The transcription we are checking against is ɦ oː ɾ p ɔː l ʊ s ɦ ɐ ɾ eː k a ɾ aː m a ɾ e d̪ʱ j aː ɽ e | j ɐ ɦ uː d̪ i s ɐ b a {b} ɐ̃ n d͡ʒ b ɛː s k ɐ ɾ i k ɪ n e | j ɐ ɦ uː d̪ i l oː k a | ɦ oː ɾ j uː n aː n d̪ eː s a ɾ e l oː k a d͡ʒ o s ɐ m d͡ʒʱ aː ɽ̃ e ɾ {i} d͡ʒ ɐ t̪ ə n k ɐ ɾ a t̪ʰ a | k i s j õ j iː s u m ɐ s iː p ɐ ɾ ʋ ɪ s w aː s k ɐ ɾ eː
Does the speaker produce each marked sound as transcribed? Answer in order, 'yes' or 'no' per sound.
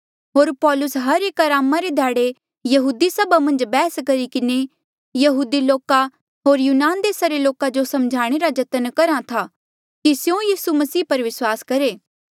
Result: no, no

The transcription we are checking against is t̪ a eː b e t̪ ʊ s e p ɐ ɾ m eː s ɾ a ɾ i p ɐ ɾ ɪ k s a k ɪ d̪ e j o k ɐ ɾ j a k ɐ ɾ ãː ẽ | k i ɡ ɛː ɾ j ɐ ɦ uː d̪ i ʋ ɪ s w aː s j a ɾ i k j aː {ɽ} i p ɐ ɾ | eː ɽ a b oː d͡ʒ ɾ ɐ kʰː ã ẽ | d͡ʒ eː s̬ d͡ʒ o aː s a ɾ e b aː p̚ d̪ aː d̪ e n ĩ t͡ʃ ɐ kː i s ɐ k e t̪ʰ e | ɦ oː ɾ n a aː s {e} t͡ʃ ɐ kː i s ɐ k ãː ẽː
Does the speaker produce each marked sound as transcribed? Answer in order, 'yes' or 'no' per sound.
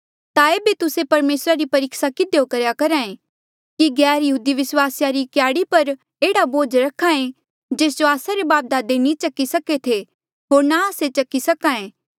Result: yes, yes

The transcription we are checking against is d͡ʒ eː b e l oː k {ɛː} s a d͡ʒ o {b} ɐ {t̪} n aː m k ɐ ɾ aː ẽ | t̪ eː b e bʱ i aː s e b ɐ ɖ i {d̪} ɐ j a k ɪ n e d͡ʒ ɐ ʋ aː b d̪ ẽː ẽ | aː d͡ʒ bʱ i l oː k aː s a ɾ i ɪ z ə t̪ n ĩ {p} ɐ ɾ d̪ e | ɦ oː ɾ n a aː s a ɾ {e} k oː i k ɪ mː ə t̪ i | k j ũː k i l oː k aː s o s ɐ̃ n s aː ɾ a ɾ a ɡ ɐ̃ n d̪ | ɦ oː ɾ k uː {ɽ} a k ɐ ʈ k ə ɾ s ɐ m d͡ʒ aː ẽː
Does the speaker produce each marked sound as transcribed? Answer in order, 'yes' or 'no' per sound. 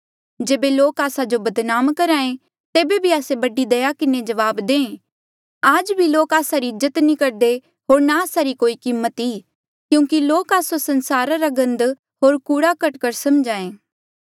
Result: no, yes, no, yes, no, no, yes

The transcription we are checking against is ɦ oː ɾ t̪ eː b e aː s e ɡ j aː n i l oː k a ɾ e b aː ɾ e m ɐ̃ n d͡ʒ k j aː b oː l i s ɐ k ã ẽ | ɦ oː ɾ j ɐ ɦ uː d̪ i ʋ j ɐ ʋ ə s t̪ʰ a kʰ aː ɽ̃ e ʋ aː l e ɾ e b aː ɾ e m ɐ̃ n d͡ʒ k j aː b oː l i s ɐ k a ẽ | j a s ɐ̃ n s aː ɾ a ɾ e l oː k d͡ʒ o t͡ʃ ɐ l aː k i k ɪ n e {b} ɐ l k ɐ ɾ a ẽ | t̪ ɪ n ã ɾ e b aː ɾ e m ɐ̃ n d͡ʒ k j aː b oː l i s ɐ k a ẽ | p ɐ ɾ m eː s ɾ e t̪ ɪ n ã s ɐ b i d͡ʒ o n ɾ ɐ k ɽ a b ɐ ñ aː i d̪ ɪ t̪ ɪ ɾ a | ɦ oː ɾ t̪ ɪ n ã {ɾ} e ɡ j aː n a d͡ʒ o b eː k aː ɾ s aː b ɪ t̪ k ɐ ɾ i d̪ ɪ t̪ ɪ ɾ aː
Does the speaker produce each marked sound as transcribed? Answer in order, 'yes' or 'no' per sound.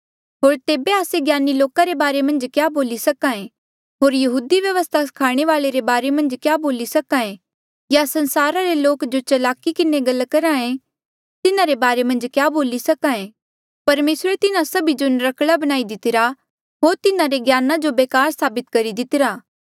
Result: no, yes

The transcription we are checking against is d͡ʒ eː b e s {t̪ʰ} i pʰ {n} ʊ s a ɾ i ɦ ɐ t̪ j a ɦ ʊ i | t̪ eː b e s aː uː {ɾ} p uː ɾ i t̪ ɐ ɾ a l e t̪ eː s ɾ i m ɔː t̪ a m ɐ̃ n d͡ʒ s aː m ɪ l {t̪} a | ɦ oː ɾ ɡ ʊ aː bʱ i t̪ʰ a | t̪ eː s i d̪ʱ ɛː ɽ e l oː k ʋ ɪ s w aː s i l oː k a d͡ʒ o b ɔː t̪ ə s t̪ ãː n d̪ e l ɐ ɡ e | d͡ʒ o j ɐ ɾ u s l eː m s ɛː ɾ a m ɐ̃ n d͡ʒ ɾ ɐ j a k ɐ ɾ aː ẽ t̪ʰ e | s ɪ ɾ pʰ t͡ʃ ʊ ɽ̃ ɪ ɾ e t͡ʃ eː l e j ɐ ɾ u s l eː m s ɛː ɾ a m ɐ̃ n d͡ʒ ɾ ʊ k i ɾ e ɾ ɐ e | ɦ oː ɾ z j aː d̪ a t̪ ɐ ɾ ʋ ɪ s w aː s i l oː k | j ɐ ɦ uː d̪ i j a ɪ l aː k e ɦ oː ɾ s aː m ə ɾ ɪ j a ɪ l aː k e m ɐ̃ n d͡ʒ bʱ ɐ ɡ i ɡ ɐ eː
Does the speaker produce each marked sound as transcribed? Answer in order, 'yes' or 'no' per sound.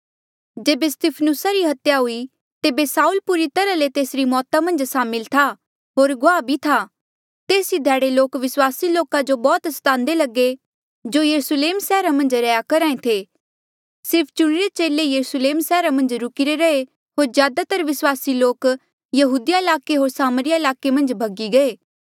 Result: no, yes, no, no

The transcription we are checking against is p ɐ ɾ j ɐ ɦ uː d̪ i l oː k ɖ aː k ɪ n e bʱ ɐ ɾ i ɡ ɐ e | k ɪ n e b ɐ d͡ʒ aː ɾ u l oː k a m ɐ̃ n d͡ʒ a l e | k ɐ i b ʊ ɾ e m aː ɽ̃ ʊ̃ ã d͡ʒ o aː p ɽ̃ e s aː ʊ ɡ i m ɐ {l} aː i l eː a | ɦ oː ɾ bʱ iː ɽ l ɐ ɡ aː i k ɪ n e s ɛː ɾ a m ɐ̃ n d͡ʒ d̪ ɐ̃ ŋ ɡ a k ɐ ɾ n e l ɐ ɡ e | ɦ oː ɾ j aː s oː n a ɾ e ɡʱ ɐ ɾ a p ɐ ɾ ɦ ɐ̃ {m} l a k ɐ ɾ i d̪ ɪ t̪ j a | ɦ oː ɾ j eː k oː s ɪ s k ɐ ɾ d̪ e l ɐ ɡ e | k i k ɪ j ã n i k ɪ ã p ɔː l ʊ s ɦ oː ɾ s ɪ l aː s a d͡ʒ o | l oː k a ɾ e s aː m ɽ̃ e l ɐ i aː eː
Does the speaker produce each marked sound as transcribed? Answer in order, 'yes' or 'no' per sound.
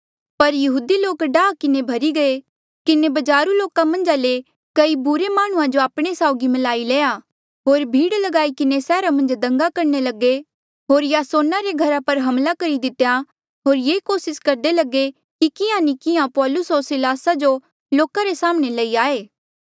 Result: yes, yes

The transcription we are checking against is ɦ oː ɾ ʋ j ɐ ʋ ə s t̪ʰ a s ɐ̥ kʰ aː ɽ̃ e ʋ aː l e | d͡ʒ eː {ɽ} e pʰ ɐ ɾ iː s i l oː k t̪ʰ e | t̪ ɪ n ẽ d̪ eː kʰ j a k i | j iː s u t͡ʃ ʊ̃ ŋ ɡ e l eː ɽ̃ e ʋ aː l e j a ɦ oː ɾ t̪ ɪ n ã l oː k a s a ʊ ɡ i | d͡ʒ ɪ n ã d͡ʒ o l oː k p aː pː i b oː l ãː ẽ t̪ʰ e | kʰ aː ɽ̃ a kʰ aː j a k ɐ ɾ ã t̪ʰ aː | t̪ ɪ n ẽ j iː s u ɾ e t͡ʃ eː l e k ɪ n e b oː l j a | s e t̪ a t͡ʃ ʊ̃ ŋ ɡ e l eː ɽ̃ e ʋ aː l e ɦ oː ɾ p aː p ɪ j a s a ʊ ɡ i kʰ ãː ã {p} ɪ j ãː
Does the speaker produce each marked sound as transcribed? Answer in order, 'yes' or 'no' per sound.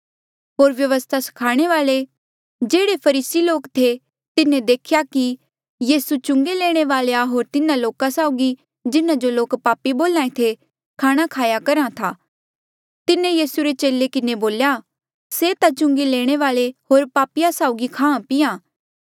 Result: yes, yes

